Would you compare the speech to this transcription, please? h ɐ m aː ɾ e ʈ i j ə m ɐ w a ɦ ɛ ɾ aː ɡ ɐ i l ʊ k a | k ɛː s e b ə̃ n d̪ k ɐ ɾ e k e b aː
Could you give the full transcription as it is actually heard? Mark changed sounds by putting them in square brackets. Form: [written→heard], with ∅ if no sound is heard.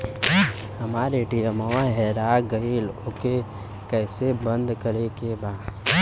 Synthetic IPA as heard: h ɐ m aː ɾ e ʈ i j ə m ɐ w a ɦ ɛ ɾ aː ɡ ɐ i l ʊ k [a→e] | k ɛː s e b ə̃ n d̪ k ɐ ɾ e k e b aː

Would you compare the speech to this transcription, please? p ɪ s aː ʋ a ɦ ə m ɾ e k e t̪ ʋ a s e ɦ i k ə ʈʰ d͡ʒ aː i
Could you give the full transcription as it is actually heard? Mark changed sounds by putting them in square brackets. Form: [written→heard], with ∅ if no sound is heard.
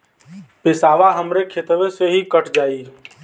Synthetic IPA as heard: p ɪ s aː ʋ a ɦ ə m ɾ e [k→kʰ] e t̪ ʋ [a→e] s e ɦ i k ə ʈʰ d͡ʒ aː i

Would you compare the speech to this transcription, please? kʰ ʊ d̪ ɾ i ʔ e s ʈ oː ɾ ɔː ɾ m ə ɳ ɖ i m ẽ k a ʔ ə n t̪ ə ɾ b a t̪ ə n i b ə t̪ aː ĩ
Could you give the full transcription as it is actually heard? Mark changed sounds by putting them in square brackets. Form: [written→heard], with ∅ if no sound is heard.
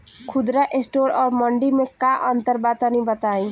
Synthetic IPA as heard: kʰ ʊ d̪ ɾ [i→a] ʔ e s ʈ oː ɾ ɔː ɾ m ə ɳ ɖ i m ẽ k a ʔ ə n t̪ ə ɾ b a t̪ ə n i b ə t̪ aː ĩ

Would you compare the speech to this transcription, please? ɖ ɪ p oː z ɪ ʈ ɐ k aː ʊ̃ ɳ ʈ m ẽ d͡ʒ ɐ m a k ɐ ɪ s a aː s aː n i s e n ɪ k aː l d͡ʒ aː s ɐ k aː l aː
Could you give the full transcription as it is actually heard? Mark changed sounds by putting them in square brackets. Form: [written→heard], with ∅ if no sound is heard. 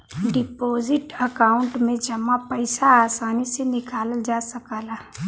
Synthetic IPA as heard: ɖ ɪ p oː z ɪ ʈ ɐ k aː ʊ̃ ɳ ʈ m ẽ d͡ʒ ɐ m a [k→p] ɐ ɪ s a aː s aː n i s e n ɪ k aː l d͡ʒ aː s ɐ k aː l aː

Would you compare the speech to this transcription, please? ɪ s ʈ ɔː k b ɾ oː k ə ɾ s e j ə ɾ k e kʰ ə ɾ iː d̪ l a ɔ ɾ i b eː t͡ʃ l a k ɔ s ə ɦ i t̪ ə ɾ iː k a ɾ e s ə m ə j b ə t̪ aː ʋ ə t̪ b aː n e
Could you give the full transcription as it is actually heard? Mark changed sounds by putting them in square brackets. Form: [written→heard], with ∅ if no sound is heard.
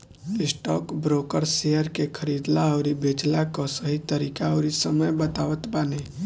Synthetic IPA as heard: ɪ s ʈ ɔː k b ɾ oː k ə ɾ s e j ə ɾ k e kʰ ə ɾ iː d̪ l a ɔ ɾ i b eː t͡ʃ l a k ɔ s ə ɦ i t̪ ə ɾ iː k a ɾ [e→i] s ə m ə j b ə t̪ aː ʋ ə t̪ b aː n e

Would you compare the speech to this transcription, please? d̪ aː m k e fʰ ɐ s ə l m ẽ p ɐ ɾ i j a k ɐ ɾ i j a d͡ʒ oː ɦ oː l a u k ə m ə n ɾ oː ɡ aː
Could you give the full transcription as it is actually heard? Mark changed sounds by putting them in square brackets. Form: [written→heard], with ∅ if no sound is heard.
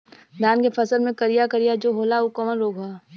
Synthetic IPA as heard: d̪ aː [m→n] k e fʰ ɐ s ə l m ẽ [p→k] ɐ ɾ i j a k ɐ ɾ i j a d͡ʒ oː ɦ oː l a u k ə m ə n ɾ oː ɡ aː

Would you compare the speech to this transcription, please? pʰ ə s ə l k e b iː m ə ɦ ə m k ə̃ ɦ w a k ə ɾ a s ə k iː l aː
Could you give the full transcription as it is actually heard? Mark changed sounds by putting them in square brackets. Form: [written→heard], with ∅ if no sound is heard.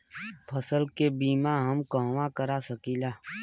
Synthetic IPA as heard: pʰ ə s ə l k e b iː m [ə→a] ɦ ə m k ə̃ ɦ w a k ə ɾ a s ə k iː l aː

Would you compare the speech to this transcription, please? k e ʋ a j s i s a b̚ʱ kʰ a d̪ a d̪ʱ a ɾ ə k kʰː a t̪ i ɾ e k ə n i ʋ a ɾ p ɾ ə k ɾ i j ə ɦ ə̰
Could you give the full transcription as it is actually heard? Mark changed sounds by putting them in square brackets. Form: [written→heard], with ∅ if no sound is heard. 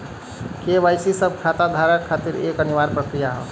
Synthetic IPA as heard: k e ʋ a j s i s [a→ə] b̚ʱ kʰ a [d̪→t̪] a d̪ʱ a ɾ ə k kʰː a t̪ i ɾ e k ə n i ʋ a ɾ p ɾ ə k ɾ i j [ə→a] ɦ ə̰

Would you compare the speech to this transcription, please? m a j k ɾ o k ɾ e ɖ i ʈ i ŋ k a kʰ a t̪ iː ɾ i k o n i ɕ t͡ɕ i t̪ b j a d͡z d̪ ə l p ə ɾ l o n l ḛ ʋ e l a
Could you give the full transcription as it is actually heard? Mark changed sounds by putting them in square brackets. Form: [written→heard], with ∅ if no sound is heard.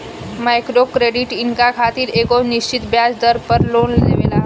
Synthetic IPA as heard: m a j k ɾ o k ɾ e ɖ i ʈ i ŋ k a kʰ a t̪ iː ɾ [i→e] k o n i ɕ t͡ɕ i t̪ b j a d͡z d̪ ə [l→ɾ] p ə ɾ l o n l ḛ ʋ e l a

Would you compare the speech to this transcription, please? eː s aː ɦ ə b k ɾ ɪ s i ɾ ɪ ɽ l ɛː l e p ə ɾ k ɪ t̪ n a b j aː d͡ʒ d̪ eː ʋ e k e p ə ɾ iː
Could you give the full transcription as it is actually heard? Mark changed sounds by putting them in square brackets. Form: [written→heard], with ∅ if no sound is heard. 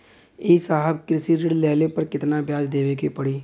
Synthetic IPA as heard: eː s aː ɦ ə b k ɾ ɪ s i ɾ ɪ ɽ l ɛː l e p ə ɾ k ɪ t̪ n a b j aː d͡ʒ d̪ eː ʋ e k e p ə [ɾ→ɽ] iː

